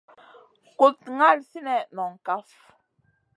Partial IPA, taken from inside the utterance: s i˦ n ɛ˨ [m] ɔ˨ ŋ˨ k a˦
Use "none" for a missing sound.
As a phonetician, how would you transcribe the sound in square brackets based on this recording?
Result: n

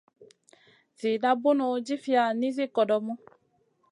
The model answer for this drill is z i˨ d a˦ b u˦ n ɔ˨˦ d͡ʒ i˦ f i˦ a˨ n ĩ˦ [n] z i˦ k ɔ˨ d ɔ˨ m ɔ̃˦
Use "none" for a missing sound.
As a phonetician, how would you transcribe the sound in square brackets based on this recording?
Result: none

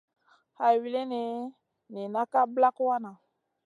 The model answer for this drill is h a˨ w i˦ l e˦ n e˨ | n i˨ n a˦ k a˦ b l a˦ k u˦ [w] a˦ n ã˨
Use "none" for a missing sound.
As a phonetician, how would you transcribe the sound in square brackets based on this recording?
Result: w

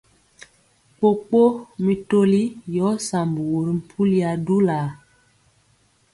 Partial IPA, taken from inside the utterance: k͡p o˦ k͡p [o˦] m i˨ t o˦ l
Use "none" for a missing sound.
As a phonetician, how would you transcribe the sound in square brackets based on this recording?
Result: o˦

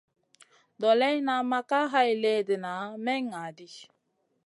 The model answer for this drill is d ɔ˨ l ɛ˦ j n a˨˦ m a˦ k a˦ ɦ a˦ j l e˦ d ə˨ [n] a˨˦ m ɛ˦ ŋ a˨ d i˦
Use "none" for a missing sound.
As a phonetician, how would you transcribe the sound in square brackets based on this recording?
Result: n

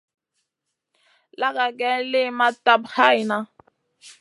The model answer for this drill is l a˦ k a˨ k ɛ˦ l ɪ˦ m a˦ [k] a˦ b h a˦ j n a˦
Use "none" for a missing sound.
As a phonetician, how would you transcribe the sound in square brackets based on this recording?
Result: t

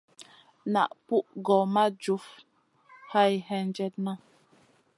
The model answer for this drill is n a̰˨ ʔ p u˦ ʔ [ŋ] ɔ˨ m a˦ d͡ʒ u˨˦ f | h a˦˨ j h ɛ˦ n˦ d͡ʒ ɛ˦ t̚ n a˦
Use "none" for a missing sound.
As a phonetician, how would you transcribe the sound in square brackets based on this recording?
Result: ɡ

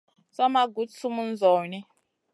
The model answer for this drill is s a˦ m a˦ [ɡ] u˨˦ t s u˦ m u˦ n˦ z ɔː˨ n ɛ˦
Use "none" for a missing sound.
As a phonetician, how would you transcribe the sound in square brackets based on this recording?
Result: ɡ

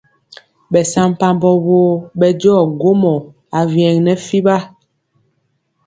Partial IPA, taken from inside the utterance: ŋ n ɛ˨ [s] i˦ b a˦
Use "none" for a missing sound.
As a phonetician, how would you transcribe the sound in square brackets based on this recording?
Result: f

